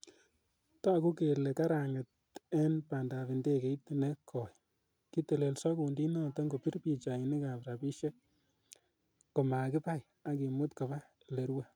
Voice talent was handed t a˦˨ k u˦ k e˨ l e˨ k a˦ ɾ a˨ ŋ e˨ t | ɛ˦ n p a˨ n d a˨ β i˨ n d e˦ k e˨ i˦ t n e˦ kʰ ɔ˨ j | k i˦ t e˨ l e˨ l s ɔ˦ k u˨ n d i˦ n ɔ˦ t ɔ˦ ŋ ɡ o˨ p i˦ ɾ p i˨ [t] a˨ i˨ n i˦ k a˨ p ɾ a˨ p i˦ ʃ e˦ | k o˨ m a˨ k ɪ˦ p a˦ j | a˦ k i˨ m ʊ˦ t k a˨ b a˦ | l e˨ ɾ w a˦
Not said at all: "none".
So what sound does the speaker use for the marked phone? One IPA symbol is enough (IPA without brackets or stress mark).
t͡ʃ